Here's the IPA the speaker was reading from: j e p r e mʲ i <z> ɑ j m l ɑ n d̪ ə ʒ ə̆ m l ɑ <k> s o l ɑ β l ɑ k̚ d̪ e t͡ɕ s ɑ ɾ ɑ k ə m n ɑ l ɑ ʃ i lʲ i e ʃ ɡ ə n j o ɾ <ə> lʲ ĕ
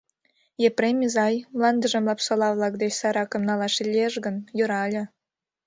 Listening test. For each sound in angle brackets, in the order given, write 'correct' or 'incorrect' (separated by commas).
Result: correct, incorrect, incorrect